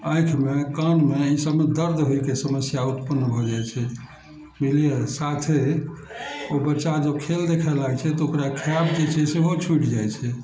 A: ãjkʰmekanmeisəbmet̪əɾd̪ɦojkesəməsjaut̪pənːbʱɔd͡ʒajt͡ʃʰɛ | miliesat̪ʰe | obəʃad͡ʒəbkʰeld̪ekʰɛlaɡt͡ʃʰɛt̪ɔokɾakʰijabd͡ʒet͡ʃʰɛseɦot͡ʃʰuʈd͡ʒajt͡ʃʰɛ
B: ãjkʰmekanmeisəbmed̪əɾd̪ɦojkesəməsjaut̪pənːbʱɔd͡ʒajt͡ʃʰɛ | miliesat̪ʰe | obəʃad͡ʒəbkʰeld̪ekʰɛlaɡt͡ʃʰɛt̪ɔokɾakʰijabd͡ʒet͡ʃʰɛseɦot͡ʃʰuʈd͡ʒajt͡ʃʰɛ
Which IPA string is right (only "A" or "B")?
B